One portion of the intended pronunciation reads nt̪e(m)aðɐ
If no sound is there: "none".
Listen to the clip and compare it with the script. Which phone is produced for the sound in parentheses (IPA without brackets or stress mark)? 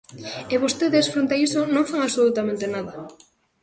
n